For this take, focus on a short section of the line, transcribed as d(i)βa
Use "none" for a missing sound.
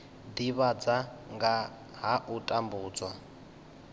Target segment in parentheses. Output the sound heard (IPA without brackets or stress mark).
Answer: i